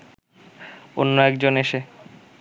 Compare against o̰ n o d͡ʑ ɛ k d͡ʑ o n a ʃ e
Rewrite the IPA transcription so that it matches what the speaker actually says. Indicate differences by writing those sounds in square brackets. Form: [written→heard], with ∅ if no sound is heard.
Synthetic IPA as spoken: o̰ [n→nː] o [d͡ʑ→∅] ɛ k d͡ʑ o n [a→e] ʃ e